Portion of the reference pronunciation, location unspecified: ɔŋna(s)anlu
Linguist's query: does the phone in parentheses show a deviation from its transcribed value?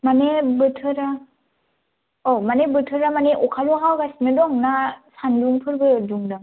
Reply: no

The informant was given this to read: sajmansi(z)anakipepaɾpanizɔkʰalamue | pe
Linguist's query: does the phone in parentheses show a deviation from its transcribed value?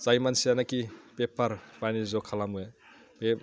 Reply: yes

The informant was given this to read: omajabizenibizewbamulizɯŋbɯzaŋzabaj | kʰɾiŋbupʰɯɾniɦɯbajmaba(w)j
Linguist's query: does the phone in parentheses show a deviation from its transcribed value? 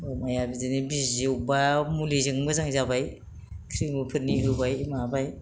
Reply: yes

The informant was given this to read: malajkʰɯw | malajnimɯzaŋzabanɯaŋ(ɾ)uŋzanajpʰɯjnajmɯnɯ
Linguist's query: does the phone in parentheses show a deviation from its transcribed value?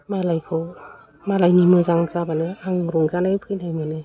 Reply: no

